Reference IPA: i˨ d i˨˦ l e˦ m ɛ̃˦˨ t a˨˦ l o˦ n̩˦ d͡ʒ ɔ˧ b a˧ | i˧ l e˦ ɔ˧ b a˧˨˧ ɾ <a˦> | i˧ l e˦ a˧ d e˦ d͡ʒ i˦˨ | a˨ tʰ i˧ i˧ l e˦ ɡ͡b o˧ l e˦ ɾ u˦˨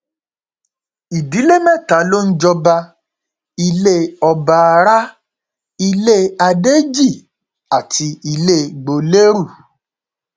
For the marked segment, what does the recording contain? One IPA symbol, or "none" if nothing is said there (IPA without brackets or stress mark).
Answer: a˦